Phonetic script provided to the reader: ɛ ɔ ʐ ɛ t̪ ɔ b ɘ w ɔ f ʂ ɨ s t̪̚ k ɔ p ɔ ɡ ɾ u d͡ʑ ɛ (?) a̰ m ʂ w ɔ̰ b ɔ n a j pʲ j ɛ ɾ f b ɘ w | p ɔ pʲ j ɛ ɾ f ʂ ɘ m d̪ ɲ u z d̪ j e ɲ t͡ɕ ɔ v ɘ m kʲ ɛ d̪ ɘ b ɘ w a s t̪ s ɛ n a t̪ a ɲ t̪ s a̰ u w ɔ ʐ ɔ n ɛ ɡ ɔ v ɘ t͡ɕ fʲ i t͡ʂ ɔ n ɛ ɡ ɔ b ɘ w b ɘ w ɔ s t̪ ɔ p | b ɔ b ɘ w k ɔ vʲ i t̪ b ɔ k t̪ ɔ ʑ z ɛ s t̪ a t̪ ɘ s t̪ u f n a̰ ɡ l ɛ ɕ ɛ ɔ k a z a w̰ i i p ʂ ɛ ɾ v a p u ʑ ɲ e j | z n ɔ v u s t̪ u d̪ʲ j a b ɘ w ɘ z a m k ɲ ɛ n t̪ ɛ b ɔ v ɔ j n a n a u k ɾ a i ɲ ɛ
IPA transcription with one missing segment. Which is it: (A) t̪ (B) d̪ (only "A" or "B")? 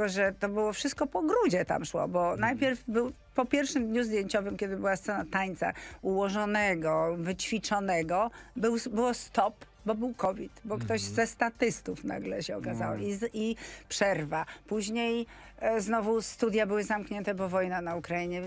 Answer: A